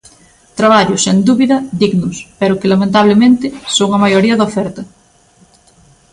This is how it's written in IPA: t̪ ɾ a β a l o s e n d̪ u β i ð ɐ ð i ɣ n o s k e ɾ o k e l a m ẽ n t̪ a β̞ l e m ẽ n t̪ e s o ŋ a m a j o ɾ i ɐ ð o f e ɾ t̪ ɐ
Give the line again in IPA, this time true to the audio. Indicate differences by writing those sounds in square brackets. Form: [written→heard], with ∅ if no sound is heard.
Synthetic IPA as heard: t̪ ɾ a β a [l→ʎ] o s e n d̪ u β i ð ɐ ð i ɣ n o s [k→p] e ɾ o k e l a m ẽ n t̪ a β̞ l e m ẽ n t̪ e s o ŋ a m a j o ɾ i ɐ ð o f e ɾ t̪ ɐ